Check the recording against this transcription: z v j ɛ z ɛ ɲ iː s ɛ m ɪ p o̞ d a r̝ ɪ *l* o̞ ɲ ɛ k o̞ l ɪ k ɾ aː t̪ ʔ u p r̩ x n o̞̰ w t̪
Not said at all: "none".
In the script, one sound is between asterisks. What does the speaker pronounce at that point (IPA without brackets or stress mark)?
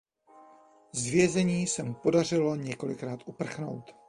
l